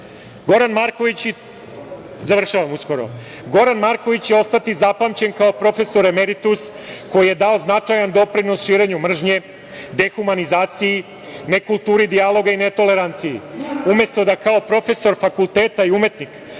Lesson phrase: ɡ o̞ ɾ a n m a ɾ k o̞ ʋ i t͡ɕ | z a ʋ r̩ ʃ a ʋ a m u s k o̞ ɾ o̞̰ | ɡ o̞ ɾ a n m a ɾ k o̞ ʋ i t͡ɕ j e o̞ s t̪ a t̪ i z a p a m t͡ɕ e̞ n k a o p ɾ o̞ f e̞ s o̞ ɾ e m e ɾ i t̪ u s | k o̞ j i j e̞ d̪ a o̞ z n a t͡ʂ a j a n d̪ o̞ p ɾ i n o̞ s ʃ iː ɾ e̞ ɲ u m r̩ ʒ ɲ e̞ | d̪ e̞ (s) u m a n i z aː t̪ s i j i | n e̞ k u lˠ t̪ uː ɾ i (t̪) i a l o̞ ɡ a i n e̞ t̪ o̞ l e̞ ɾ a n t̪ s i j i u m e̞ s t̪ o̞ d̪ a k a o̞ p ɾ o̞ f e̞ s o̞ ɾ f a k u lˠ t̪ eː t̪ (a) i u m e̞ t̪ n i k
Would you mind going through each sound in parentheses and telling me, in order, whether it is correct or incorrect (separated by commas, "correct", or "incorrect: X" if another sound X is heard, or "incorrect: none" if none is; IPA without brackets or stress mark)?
incorrect: x, incorrect: d̪, correct